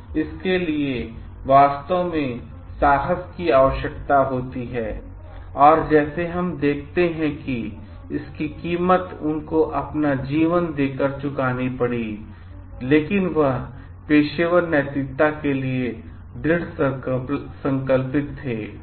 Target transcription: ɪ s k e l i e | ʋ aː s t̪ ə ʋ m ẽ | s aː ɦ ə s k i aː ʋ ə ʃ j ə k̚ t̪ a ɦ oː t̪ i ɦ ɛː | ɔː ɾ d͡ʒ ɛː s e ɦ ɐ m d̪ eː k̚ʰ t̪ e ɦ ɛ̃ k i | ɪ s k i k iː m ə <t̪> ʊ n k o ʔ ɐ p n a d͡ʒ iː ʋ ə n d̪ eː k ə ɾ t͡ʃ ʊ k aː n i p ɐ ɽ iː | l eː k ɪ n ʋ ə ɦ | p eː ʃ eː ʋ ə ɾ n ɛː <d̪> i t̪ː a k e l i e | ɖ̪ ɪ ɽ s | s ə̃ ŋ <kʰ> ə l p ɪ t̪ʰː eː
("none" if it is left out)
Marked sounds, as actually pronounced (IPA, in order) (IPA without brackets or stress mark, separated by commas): t̪, t̪, k